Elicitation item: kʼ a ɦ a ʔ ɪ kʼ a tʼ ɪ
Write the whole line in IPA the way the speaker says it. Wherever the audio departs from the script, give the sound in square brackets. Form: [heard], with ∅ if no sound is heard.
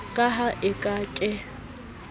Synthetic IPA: kʼ a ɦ a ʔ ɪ kʼ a [kʼ] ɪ